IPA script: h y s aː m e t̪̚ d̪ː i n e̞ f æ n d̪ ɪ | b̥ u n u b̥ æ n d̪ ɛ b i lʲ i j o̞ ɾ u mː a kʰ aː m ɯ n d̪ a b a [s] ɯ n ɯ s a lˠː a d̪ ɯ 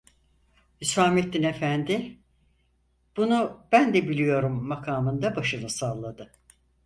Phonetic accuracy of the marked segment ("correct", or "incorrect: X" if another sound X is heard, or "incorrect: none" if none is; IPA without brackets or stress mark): incorrect: ʃ